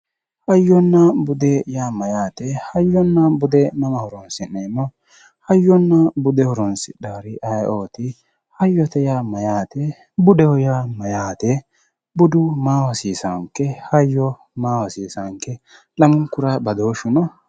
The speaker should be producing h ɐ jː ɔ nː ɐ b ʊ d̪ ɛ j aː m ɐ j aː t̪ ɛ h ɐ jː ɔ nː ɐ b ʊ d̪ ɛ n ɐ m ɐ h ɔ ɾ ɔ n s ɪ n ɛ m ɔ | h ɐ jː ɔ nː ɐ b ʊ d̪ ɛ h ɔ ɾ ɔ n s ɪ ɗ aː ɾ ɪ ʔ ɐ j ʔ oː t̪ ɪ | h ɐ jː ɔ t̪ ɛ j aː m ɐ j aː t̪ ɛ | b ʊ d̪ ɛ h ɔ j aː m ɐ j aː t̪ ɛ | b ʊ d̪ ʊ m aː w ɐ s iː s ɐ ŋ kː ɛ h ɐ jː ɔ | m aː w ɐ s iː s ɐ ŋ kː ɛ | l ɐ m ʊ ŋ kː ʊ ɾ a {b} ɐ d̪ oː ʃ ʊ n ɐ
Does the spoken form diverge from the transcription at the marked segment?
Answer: no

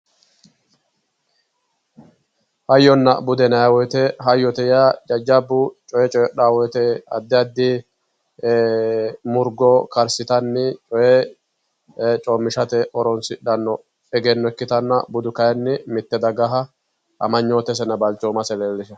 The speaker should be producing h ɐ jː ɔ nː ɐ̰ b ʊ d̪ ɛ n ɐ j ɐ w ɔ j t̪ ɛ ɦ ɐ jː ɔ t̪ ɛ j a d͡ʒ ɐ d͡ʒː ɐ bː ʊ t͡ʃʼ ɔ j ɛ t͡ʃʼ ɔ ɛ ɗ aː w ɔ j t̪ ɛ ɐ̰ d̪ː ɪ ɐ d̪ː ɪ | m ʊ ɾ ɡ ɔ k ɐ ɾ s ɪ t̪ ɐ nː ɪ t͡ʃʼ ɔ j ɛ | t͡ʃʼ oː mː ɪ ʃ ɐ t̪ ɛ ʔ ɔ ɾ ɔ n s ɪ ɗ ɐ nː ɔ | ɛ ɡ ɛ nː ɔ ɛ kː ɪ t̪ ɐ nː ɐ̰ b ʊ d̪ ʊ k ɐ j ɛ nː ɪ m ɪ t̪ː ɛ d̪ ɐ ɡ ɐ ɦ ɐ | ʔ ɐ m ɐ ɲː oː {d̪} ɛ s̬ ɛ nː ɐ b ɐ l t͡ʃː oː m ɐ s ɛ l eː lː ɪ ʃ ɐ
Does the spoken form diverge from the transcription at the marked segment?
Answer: yes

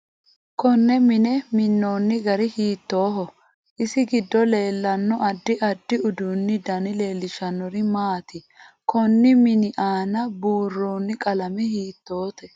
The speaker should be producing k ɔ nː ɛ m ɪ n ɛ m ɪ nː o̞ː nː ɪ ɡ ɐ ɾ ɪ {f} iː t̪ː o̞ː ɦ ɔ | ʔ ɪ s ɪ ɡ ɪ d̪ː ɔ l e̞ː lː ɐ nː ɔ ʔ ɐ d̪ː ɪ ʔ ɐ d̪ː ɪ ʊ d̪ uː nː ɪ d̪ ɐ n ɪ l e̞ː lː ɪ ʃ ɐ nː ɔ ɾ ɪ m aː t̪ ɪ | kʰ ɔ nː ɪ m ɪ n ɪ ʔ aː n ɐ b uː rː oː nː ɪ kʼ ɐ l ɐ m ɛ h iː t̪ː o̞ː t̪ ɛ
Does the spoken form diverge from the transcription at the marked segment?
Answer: yes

